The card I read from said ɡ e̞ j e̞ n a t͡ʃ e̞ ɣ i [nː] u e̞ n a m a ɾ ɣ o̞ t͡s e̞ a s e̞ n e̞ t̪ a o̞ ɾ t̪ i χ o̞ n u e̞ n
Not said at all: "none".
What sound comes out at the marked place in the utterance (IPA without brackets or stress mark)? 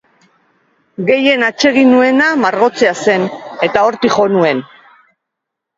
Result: n